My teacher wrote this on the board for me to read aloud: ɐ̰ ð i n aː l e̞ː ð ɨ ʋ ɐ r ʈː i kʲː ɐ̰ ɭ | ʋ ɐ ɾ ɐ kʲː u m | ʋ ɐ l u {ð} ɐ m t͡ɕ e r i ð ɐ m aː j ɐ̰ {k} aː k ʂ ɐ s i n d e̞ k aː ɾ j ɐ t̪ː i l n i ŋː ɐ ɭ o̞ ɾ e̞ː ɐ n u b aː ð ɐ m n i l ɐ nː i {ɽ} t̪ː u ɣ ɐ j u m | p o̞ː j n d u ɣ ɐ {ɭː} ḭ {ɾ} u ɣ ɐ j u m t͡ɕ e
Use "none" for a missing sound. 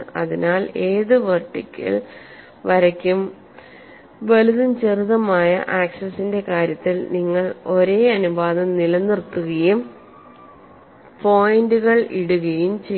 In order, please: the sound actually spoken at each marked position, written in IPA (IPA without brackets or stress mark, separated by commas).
ð, ʔ, r, ɭ, ɽ